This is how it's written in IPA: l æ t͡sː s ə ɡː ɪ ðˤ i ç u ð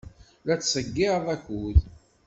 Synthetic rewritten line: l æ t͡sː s ə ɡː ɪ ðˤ æ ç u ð